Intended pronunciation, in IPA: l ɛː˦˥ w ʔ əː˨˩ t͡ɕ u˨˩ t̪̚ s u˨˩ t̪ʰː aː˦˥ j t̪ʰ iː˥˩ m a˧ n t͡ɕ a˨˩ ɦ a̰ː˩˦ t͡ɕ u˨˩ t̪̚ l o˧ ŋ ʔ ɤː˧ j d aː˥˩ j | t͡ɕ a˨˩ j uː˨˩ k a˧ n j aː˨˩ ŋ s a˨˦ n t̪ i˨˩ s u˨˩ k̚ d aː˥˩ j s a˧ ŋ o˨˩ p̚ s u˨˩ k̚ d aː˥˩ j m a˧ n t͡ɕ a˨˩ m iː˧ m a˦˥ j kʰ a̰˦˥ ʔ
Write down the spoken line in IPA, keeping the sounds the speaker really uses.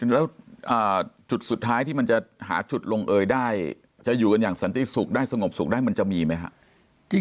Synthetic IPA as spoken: l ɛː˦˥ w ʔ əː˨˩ t͡ɕ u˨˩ t̪̚ s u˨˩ t̪ʰː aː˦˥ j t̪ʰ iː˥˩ m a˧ n t͡ɕ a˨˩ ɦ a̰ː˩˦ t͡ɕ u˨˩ t̪̚ l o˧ ŋ ʔ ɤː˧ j d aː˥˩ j | t͡ɕ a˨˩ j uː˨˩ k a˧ n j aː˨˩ ŋ s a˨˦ n t̪ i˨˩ s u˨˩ k̚ d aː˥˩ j s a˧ ŋ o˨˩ p̚ s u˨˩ k̚ d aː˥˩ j m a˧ n t͡ɕ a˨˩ m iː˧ m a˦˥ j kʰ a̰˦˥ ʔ